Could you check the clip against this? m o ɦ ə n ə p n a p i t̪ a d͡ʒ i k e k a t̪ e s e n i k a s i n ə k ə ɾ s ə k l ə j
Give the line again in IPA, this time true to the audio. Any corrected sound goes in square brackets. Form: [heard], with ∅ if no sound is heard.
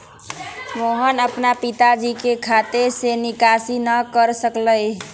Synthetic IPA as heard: m o ɦ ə n ə p n a p i t̪ a d͡ʒ i k e [kʰ] a t̪ e s e n i k a s i n ə k ə ɾ s ə k l ə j